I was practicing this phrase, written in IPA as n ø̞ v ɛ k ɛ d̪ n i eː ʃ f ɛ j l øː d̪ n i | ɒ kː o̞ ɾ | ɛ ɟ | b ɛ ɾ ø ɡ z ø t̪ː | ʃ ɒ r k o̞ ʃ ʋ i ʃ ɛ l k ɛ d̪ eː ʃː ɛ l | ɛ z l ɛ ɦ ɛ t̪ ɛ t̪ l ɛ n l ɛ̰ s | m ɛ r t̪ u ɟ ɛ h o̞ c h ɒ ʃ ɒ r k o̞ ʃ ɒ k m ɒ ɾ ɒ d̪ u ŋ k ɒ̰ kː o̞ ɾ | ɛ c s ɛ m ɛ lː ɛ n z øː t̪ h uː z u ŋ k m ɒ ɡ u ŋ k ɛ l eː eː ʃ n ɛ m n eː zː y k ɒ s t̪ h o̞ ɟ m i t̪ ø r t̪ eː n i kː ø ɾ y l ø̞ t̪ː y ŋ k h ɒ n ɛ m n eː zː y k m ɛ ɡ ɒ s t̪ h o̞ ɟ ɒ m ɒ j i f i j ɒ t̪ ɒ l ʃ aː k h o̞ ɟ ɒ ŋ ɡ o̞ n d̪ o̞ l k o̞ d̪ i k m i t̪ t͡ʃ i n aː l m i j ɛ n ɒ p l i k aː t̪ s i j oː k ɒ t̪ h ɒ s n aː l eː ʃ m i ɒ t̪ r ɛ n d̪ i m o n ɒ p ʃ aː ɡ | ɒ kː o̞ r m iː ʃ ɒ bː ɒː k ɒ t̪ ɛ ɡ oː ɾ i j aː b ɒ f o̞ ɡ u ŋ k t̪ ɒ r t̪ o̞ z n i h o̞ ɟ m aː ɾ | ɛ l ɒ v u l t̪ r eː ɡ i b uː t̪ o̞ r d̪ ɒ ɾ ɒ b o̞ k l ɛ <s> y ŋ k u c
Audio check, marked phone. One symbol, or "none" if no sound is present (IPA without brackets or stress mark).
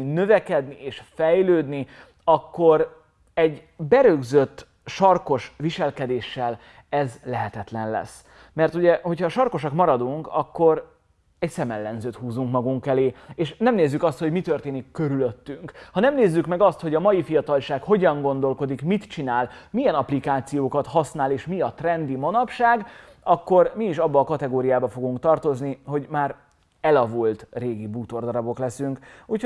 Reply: s